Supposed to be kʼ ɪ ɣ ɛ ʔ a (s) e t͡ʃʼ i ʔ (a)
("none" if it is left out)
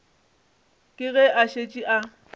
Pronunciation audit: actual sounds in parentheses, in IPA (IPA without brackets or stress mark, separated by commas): ʃ, a